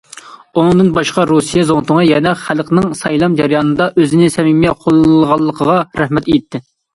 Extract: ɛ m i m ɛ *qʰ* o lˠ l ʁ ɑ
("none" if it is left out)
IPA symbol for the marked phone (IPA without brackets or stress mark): qʰ